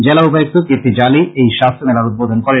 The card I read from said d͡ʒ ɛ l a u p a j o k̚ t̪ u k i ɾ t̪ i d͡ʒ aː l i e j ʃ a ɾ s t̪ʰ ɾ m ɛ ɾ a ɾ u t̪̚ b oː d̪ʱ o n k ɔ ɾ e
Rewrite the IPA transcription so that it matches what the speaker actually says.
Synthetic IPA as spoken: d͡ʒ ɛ l a u p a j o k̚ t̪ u k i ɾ t̪ i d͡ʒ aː l i e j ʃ a s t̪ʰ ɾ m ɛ l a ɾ u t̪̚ b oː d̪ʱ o n k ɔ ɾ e